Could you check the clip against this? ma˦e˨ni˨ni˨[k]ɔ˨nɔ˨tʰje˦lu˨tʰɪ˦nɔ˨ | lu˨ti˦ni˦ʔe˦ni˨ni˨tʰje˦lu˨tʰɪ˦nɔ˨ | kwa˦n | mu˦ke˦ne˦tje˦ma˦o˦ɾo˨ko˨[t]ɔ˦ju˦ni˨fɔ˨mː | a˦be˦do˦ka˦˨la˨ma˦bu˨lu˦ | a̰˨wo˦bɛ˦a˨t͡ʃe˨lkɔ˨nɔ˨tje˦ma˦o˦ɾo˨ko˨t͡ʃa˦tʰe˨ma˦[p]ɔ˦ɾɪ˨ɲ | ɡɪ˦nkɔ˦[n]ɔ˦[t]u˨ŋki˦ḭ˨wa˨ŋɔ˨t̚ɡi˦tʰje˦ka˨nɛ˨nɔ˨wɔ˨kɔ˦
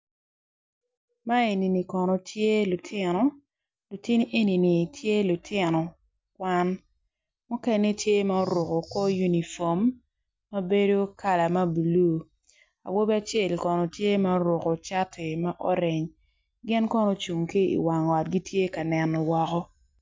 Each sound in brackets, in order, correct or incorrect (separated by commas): correct, incorrect, incorrect, correct, incorrect